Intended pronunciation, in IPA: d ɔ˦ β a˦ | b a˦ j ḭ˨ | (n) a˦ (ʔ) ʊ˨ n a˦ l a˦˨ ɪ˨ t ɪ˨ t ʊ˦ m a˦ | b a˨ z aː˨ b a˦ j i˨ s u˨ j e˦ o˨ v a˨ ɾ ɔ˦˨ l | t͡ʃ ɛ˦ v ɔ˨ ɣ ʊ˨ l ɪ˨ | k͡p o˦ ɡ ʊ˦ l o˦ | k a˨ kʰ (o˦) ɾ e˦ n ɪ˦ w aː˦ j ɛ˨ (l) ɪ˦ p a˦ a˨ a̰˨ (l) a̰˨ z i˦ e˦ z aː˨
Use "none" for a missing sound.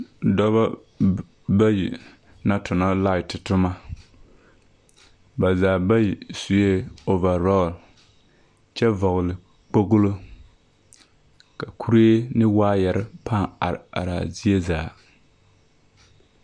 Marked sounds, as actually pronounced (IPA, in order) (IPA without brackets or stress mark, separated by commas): n, t, u˦, ɾ, ɾ